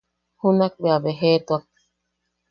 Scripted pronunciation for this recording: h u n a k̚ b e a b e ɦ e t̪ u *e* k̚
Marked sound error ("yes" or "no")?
yes